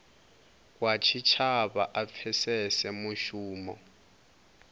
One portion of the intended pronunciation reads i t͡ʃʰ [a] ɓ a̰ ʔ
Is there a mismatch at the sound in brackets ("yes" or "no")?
no